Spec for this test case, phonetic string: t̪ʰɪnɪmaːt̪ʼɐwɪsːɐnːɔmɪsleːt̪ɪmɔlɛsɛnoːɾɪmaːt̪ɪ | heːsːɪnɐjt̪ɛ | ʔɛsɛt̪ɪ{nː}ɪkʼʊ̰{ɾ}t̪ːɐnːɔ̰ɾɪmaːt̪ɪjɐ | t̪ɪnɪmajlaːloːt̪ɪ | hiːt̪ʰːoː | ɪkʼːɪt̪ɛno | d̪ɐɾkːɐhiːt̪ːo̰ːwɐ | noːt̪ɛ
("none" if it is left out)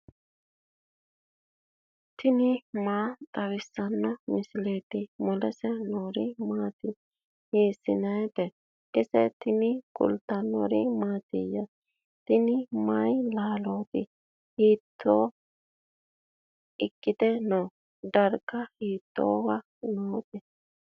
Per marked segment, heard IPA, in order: n, l

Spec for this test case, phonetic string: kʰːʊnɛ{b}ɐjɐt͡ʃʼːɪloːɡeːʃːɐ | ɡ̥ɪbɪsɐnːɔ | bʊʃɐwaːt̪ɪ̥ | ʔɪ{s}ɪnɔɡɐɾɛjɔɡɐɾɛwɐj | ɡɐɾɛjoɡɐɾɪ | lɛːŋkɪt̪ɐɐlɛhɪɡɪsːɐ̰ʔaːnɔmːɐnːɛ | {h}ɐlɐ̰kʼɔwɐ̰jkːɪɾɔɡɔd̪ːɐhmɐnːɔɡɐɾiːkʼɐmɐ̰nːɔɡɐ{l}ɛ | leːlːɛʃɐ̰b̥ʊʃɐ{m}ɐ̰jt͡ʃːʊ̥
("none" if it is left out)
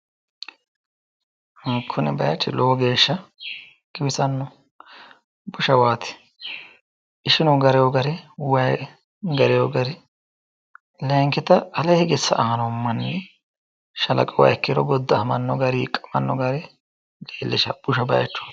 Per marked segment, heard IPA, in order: b, ʃ, ʃ, ɾ, b

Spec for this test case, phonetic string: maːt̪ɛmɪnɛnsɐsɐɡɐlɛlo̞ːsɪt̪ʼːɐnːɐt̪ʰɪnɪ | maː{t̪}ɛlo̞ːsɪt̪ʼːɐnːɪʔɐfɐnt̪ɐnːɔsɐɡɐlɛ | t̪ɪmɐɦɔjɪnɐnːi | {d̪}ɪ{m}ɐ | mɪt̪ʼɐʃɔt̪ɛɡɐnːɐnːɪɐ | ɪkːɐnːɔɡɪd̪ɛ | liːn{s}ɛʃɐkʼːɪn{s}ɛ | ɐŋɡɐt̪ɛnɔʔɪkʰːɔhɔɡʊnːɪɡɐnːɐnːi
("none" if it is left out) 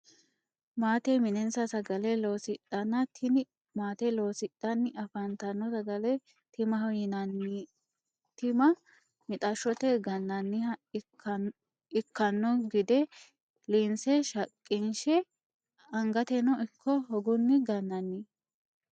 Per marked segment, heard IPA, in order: t̪, t̪, m, s, ʃ

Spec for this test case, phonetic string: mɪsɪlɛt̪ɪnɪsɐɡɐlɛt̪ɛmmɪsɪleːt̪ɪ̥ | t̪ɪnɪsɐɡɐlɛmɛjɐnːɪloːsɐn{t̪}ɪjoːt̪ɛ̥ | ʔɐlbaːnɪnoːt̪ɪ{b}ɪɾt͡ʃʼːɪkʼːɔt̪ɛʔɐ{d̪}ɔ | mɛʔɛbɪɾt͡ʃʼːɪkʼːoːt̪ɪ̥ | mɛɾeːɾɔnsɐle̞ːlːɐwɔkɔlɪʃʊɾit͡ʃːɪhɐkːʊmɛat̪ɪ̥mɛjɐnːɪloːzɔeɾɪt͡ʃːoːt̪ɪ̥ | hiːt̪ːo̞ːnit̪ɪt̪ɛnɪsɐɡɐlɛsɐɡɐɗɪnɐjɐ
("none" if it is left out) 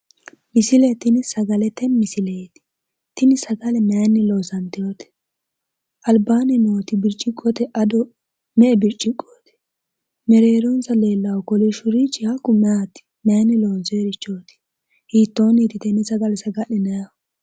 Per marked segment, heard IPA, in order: t̪, b, d̪

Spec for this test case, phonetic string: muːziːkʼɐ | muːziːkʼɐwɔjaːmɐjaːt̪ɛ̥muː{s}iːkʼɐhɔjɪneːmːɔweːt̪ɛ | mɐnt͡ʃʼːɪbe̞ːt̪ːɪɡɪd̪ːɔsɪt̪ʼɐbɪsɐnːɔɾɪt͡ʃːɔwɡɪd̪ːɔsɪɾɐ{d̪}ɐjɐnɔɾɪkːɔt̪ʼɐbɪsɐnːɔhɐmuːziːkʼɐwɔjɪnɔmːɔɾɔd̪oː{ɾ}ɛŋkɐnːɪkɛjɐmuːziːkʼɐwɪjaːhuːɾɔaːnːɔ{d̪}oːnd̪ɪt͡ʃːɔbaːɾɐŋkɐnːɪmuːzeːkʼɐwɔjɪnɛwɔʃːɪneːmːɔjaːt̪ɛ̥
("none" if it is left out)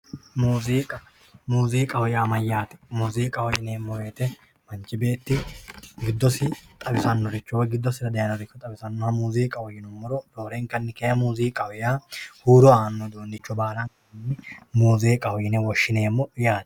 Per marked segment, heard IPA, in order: z, d̪, ɾ, d̪

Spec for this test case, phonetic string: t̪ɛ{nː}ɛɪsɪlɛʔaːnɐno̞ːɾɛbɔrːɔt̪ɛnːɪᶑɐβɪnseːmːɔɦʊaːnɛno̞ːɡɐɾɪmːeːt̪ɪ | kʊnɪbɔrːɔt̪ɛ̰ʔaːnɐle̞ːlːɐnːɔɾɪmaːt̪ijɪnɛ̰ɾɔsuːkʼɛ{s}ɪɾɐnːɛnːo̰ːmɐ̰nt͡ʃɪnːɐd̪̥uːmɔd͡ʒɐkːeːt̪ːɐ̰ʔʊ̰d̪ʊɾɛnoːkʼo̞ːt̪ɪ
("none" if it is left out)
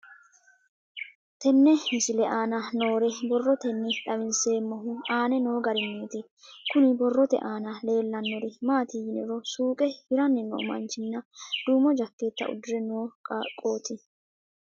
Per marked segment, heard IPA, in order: nː, h

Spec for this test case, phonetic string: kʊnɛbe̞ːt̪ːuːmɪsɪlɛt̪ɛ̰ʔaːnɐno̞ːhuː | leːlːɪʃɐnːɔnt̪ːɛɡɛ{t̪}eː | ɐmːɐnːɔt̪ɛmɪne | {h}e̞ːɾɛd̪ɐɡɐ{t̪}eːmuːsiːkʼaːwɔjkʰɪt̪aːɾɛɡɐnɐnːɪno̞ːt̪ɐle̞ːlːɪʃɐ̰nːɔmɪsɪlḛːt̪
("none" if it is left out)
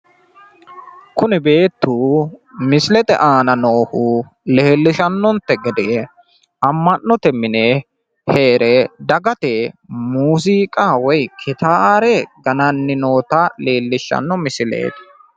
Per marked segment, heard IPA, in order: d̪, h, t̪

